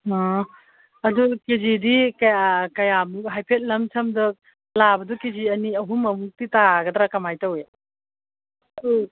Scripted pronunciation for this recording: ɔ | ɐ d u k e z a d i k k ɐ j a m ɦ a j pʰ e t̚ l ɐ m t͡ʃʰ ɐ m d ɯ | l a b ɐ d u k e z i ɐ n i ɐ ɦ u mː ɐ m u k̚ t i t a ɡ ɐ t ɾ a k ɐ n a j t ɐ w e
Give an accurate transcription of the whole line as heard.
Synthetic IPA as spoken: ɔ | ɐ d u k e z i d i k k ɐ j a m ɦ a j pʰ e t̚ l ɐ m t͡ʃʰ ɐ m d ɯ | l a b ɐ d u k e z i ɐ n i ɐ ɦ u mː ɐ m u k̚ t i t a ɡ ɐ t ɾ a k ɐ m a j t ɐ w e